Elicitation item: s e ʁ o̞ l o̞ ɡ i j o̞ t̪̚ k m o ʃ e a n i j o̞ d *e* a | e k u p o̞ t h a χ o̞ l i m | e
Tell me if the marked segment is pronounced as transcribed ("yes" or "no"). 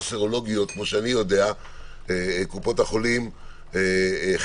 yes